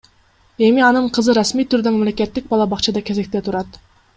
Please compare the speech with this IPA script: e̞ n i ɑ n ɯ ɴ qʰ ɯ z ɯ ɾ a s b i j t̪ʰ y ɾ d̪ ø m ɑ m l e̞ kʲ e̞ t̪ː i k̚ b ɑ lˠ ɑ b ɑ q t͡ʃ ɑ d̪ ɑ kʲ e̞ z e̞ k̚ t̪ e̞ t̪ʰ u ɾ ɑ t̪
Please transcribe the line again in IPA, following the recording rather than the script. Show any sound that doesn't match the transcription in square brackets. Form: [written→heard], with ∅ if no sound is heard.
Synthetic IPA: e̞ [n→m] i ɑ n ɯ ɴ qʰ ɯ z ɯ ɾ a s [b→m] i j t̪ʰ y ɾ d̪ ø m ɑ m l e̞ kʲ e̞ t̪ː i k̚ b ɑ lˠ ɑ b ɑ q t͡ʃ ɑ d̪ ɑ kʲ e̞ z e̞ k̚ t̪ e̞ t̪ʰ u ɾ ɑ t̪